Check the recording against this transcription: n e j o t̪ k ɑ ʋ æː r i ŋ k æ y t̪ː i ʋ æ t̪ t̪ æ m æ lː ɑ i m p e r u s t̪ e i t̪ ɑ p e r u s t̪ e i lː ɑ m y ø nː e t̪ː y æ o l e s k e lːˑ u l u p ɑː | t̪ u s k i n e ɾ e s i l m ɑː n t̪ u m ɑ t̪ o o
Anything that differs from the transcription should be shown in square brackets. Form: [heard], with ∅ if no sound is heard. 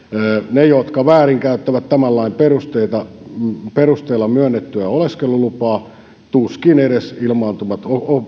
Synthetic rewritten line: n e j o t̪ k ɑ ʋ æː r i ŋ k æ y t̪ː [æ] ʋ æ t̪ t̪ æ m æ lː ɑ i m p e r u s t̪ e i t̪ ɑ p e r u s t̪ e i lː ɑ m y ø nː e t̪ː y æ o l e s k e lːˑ u l u p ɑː | t̪ u s k i n e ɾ e s i l m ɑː n t̪ u m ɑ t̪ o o